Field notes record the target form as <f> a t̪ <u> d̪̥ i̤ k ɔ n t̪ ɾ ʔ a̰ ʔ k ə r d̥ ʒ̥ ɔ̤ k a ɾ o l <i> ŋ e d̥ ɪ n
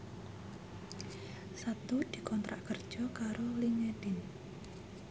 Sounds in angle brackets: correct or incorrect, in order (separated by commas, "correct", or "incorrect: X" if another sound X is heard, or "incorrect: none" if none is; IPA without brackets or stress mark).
incorrect: s, correct, correct